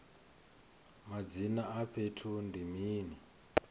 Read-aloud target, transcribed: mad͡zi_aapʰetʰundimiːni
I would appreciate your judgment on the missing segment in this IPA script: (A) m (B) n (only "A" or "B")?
B